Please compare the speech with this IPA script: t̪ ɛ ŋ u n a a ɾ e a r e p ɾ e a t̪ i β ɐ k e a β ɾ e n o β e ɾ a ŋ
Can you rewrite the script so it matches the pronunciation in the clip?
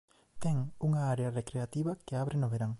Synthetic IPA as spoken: t̪ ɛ ŋ u ŋ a a ɾ e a r e k ɾ e a t̪ i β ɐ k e a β ɾ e n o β e ɾ a ŋ